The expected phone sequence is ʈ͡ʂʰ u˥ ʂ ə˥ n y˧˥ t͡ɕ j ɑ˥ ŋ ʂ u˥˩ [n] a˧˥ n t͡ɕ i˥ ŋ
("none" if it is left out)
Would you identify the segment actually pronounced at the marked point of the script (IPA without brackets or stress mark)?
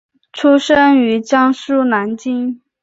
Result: n